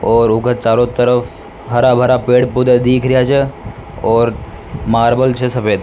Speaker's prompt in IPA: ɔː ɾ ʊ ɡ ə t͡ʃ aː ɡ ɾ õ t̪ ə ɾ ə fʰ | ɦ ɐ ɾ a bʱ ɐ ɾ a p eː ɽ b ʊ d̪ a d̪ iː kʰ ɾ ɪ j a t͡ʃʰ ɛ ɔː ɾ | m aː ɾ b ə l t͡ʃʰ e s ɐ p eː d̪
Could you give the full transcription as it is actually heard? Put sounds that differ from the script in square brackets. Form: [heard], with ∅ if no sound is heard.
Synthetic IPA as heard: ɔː ɾ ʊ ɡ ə t͡ʃ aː [∅] ɾ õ t̪ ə ɾ ə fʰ | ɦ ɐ ɾ a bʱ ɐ ɾ a p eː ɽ [p] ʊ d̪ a d̪ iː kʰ ɾ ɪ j a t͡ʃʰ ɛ ɔː ɾ | m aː ɾ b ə l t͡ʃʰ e s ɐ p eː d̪